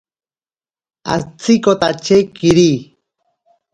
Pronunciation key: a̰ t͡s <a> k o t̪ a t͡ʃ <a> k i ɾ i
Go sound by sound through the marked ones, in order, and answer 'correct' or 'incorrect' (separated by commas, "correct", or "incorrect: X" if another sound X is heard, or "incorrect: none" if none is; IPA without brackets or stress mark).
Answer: incorrect: i, incorrect: e